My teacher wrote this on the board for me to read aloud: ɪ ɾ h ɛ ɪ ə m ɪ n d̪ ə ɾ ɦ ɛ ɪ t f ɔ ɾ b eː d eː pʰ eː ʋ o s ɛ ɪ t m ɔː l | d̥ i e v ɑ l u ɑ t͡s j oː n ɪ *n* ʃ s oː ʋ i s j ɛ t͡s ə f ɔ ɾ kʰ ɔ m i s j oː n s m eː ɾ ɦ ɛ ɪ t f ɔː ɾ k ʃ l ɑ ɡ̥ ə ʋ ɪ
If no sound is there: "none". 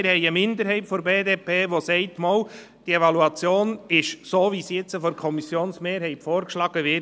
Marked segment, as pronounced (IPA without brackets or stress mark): none